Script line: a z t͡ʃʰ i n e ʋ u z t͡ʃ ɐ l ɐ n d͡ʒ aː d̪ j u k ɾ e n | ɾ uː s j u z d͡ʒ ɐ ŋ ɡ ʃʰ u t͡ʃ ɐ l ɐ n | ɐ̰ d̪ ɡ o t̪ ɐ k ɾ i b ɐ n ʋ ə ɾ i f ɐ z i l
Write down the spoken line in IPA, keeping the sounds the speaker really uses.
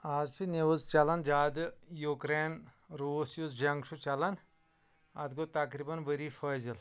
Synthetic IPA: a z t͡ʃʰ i n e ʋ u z t͡ʃ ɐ l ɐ n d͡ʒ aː d̪ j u k ɾ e n | ɾ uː s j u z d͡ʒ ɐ ŋ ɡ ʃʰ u t͡ʃ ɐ l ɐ n | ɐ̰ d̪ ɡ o t̪ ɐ k ɾ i b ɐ n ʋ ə ɾ i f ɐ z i l